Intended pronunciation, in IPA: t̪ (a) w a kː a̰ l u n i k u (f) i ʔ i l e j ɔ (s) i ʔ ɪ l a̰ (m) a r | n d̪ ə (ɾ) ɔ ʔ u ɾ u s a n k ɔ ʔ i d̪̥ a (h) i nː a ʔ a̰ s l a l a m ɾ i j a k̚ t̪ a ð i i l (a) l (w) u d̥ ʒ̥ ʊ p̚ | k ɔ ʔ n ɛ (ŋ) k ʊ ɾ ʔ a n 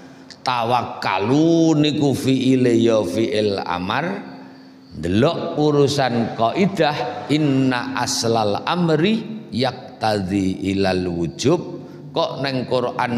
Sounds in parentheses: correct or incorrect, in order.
correct, correct, incorrect: f, correct, incorrect: l, correct, correct, correct, correct

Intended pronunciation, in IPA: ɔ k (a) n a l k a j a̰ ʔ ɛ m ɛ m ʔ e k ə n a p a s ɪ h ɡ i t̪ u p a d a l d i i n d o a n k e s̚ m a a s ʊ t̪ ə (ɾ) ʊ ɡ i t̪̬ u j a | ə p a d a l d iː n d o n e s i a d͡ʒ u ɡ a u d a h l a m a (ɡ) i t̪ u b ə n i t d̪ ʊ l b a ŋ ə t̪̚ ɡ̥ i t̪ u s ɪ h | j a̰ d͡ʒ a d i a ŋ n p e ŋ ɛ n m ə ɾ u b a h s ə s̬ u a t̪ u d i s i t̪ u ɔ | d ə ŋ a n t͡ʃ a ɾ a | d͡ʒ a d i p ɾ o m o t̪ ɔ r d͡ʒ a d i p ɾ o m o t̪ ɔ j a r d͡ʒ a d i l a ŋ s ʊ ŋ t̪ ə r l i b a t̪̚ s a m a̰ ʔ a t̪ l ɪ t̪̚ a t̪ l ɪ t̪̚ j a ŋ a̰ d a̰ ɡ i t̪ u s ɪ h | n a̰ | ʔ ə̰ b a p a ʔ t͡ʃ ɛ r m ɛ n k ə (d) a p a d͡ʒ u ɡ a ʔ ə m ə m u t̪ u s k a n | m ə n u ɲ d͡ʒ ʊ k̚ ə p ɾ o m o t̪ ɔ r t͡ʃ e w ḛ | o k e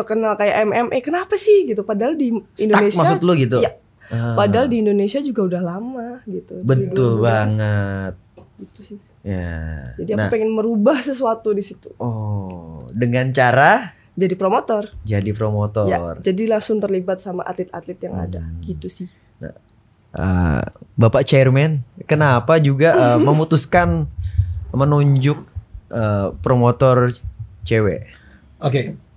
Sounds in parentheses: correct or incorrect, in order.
incorrect: ə, incorrect: l, correct, incorrect: n

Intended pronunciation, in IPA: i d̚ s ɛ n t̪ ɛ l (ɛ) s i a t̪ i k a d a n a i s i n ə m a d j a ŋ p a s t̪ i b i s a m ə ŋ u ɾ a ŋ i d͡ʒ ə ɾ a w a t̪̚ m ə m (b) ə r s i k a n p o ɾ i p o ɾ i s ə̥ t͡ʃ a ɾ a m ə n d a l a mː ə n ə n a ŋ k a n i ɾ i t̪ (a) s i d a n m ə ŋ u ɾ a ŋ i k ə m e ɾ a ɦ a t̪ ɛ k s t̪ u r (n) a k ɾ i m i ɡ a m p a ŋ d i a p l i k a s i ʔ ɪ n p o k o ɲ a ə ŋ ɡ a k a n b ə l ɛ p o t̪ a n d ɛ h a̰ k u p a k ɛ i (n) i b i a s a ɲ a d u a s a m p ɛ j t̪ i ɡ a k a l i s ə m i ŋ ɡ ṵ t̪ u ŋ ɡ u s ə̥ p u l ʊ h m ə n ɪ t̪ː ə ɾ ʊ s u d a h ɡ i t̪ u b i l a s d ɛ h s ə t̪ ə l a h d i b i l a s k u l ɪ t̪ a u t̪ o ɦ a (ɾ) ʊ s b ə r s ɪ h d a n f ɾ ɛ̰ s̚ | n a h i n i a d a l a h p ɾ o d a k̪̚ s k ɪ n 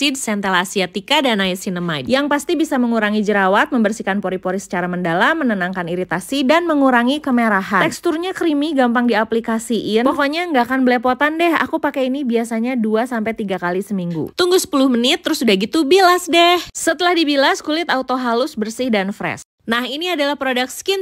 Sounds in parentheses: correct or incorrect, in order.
incorrect: a, correct, correct, incorrect: ɲ, correct, incorrect: l

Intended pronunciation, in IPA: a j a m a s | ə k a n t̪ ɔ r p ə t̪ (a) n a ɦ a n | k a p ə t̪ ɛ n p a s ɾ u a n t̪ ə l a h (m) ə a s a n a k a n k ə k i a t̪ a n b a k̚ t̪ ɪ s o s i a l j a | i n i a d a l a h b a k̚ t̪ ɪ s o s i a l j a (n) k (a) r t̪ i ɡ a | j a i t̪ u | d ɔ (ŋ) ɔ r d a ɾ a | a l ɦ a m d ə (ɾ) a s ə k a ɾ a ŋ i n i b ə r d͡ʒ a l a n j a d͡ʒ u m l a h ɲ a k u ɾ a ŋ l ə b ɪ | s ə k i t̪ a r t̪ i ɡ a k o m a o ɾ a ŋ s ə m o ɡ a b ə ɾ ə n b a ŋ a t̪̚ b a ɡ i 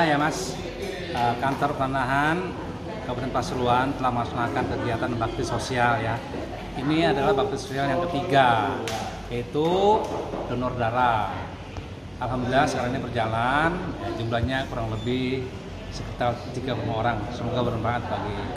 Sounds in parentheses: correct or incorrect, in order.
correct, correct, incorrect: ŋ, incorrect: ə, incorrect: n, incorrect: l

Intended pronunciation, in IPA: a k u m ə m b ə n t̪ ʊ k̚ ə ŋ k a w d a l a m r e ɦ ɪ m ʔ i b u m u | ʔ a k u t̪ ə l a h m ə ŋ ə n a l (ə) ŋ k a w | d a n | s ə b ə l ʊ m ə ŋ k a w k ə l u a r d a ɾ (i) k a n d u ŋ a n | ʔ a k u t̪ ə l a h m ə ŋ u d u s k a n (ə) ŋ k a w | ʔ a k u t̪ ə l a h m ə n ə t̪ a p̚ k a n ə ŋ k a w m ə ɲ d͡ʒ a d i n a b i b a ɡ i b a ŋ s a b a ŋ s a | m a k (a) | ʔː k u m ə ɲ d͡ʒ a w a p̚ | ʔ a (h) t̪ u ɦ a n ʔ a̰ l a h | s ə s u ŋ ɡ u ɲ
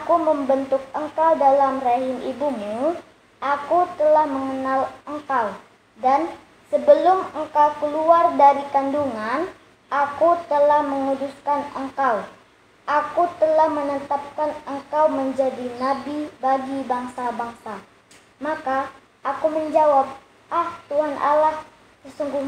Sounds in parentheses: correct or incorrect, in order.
correct, correct, correct, correct, correct

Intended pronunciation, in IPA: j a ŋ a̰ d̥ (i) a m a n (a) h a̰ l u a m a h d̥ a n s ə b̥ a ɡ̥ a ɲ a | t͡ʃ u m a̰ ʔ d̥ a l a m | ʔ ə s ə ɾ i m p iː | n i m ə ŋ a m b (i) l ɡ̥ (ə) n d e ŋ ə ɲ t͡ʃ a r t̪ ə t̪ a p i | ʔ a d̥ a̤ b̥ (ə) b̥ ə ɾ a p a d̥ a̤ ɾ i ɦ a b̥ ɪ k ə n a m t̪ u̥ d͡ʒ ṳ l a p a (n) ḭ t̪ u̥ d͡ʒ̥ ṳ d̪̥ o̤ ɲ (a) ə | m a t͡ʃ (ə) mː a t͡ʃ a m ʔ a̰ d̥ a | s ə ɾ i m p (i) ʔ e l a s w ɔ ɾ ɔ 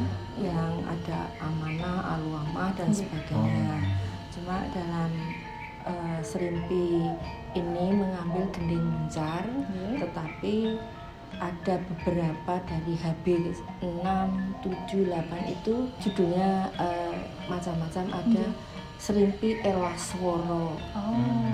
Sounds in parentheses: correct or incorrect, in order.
incorrect: a, correct, incorrect: ɪ, correct, correct, correct, correct, incorrect: a, correct

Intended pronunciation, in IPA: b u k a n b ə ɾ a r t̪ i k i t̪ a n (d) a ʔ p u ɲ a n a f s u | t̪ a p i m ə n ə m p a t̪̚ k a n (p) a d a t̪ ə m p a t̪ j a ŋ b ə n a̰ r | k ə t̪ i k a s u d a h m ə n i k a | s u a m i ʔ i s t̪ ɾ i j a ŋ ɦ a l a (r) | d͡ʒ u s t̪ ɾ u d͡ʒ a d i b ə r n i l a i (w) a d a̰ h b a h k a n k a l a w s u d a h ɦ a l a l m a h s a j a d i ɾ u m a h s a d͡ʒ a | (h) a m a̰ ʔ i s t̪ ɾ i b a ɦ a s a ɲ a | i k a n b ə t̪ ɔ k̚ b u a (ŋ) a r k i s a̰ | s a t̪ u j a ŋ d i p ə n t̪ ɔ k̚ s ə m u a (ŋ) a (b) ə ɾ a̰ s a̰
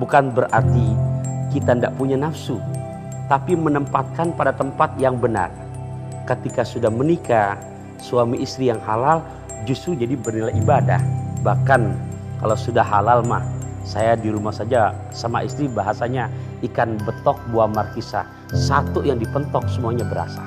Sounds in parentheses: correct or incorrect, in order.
correct, correct, incorrect: l, incorrect: b, incorrect: s, incorrect: m, incorrect: ɲ, correct

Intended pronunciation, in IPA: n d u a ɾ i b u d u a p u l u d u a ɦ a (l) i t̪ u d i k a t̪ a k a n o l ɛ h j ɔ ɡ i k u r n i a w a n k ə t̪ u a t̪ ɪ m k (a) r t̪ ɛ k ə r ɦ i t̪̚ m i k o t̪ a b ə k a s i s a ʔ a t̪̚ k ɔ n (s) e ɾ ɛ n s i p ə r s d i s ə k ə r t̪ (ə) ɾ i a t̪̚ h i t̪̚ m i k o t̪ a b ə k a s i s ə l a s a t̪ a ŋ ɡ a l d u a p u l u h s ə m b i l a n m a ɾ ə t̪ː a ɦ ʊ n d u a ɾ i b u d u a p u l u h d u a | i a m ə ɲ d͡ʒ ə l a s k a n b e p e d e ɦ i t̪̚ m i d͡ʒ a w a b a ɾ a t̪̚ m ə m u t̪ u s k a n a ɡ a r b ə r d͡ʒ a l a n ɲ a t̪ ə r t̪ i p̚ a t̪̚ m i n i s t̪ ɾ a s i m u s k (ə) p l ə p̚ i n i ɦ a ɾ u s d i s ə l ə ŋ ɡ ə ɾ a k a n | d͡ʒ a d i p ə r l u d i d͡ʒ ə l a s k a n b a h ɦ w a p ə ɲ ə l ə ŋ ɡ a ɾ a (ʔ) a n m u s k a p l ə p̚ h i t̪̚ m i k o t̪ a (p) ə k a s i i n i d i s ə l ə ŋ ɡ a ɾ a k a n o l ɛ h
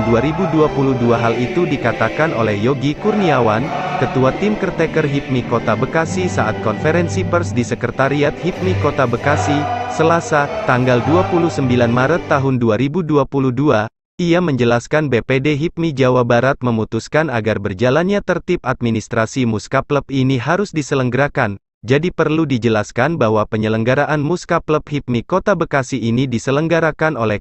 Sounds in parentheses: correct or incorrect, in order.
correct, incorrect: ə, incorrect: f, incorrect: a, incorrect: a, correct, incorrect: b

